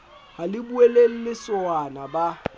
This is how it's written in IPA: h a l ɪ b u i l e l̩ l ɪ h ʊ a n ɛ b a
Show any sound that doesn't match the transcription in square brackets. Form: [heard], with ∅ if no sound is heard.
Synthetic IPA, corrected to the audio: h a l ɪ b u [e] l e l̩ l ɪ [s] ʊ a n [a] b a